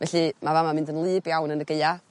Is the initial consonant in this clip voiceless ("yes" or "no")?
no